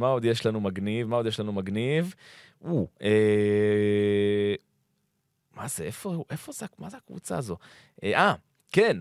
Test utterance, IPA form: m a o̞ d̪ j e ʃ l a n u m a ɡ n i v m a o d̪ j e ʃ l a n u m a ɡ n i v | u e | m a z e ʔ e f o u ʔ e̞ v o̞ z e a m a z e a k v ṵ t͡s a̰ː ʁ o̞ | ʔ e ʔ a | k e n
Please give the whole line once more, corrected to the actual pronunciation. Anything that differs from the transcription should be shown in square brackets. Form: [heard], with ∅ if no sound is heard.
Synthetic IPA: m a o̞ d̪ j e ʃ l a n u m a ɡ n i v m a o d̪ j e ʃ l a n u m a ɡ n i v | u e | m a z e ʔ e f o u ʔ e̞ [f] o̞ z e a m a z e a k v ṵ t͡s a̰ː [z] o̞ | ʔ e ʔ a | k e n